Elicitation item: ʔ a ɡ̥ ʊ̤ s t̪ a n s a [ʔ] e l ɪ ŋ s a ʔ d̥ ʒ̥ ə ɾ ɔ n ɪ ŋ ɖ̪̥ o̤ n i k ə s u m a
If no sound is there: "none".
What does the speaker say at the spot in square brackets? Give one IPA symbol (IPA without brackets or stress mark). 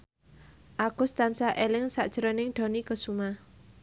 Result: ʔ